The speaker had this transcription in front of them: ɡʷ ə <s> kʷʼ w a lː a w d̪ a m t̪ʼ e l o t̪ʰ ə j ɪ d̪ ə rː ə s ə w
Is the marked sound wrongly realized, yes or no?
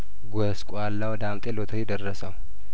no